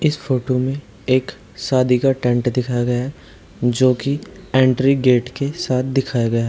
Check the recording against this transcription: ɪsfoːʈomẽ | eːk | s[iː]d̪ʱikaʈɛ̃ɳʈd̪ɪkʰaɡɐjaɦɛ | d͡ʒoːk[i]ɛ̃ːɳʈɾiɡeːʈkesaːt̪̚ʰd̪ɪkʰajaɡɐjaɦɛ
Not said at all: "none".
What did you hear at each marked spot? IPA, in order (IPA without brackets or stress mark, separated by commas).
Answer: aː, i